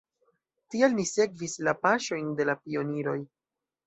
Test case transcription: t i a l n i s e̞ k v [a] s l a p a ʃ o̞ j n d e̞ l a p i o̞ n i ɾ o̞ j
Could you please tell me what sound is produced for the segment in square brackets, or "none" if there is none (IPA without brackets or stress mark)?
i